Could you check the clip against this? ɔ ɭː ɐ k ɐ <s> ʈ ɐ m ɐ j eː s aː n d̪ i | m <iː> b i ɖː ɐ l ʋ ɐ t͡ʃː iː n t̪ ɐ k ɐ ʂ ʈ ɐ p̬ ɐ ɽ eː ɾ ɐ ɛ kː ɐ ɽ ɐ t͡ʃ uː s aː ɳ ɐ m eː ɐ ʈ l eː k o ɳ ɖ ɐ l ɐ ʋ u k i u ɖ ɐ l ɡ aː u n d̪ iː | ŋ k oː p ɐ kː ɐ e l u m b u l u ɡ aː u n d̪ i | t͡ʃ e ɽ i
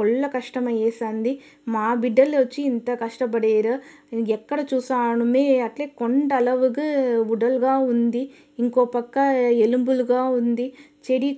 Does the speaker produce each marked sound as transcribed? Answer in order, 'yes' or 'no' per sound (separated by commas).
no, no